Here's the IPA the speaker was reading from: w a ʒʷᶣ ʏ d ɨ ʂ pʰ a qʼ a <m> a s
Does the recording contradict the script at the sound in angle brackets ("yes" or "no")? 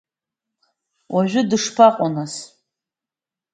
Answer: yes